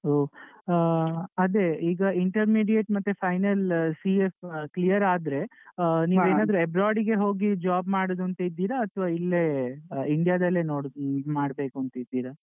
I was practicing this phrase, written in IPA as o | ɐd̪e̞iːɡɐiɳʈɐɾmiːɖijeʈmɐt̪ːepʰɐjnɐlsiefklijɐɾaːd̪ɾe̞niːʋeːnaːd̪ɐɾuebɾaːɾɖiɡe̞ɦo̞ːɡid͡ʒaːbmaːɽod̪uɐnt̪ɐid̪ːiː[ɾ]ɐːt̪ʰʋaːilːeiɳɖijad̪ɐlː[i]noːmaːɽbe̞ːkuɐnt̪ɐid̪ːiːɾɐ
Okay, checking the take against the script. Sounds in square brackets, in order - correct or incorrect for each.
correct, incorrect: e

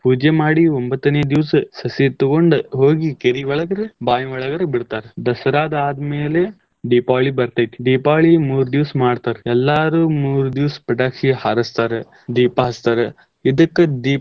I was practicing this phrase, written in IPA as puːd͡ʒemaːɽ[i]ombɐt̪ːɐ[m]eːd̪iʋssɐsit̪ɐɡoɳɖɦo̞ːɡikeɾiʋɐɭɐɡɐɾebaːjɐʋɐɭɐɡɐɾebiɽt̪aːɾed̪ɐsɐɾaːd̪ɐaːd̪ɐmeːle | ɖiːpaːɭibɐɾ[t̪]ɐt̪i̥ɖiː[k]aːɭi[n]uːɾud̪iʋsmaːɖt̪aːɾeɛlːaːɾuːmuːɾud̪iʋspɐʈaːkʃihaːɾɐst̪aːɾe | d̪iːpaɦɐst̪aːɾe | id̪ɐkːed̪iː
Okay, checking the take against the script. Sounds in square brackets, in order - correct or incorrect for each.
correct, incorrect: n, correct, incorrect: p, incorrect: m

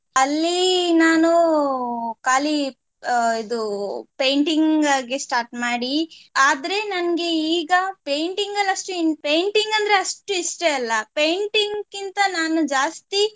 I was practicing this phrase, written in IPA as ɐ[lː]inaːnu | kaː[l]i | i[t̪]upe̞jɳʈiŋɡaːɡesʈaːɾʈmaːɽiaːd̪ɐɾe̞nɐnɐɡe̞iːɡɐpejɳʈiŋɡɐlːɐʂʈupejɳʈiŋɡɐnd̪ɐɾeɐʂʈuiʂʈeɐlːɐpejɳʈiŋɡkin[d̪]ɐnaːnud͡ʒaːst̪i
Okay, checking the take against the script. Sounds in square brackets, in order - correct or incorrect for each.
correct, correct, incorrect: d̪, incorrect: t̪

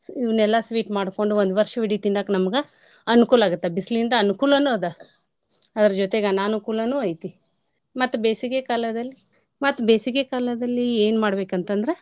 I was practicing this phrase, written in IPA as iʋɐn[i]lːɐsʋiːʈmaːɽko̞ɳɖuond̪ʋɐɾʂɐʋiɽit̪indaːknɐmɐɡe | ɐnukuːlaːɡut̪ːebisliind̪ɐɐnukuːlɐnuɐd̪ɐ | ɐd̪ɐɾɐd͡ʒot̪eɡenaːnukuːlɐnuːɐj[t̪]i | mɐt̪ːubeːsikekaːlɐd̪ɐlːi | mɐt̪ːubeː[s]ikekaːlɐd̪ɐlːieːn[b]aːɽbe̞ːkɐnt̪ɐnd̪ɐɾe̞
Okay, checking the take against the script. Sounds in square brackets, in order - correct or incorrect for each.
incorrect: ɛ, correct, correct, incorrect: m

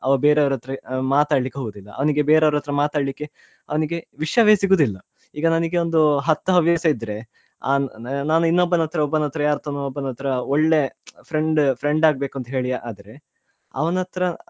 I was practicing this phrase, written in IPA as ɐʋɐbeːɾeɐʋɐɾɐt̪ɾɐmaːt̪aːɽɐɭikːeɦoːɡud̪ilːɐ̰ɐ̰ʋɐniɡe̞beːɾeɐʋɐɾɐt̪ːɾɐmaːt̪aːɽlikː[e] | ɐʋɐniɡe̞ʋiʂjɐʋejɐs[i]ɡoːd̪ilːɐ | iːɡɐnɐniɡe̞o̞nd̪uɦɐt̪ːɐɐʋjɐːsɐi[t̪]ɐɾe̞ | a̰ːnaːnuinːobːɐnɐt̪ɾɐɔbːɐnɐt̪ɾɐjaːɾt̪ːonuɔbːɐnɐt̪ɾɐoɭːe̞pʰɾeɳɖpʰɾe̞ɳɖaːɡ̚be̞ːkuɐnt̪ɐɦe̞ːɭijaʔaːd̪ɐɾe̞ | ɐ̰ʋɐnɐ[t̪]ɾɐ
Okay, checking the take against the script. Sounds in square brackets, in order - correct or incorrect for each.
correct, correct, incorrect: d̪, correct

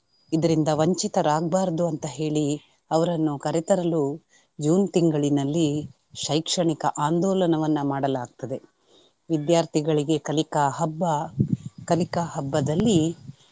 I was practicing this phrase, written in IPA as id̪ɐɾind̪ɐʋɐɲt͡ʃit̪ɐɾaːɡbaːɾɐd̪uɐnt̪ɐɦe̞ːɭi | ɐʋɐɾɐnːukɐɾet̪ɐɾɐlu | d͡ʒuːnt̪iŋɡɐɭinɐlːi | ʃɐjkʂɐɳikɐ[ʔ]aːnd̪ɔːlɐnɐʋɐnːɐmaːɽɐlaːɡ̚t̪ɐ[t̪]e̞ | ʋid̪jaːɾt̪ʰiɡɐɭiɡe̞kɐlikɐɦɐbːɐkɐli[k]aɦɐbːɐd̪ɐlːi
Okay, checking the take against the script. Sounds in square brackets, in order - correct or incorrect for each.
correct, incorrect: d̪, correct

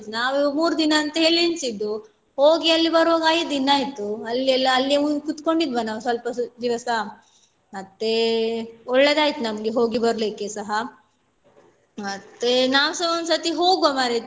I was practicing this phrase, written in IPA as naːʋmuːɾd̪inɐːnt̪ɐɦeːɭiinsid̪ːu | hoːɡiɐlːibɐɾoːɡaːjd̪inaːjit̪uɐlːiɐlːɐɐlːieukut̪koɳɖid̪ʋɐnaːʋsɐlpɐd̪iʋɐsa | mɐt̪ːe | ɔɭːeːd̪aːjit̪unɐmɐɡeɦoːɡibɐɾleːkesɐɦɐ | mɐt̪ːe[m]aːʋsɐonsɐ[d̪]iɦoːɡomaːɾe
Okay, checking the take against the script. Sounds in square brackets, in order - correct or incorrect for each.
incorrect: n, incorrect: t̪

